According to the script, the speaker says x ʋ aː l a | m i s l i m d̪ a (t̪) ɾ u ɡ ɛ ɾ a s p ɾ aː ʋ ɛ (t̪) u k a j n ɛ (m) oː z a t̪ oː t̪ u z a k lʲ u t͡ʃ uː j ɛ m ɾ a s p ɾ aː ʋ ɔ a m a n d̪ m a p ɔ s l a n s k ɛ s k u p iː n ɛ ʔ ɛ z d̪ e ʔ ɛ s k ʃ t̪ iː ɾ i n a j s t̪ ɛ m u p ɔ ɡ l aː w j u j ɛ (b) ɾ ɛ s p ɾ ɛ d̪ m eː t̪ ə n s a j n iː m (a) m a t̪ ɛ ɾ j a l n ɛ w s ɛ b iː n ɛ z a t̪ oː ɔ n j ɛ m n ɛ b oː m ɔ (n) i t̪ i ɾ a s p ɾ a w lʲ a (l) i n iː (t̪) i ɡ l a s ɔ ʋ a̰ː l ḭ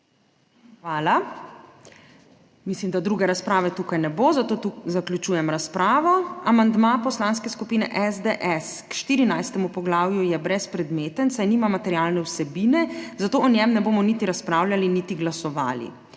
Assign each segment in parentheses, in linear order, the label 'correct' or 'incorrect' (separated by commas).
incorrect, correct, incorrect, correct, correct, correct, correct, correct